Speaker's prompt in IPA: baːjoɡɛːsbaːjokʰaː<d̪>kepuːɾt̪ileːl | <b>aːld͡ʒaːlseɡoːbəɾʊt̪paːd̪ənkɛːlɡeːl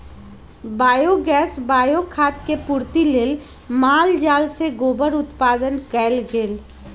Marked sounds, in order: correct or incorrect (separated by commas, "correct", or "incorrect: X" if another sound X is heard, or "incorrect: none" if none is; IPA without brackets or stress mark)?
incorrect: t̪, incorrect: m